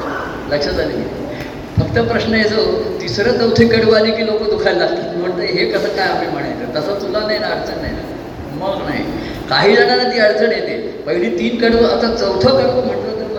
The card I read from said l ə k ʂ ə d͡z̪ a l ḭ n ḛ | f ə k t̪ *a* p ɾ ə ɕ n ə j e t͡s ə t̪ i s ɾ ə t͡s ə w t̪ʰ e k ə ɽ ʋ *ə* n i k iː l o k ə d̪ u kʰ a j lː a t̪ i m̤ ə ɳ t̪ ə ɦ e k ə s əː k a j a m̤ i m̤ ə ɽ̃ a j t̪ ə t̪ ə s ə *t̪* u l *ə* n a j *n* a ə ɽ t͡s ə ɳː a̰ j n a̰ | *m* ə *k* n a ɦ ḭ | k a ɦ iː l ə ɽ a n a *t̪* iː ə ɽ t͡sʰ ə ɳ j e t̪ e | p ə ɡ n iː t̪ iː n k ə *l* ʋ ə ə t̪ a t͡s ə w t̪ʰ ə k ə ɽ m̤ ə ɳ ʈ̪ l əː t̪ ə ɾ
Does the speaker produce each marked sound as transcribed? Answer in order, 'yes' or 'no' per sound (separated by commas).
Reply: no, no, yes, no, yes, yes, no, yes, no